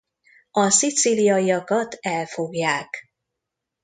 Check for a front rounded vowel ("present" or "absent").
absent